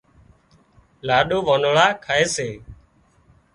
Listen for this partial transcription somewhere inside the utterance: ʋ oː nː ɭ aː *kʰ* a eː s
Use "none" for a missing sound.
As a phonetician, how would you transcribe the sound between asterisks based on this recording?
kʰ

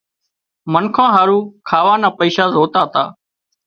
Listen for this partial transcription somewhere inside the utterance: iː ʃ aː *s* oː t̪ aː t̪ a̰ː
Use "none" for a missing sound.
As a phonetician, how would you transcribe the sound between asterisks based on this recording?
z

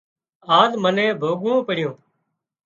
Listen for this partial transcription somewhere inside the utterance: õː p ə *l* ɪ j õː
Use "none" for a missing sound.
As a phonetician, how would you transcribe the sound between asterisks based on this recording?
ɽ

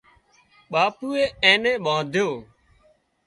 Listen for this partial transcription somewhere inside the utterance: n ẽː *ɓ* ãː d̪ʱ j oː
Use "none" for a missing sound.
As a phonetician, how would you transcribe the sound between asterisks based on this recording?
ɓ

